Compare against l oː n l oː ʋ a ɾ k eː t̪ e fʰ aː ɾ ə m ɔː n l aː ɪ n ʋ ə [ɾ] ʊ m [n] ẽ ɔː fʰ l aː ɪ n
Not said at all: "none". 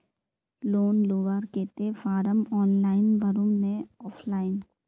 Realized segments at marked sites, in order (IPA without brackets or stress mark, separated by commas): ɾ, n